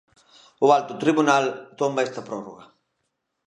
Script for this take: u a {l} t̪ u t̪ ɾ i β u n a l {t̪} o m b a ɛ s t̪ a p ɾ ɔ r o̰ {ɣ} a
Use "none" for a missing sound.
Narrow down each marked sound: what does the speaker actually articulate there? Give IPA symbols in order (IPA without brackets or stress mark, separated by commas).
l, t̪, ɣ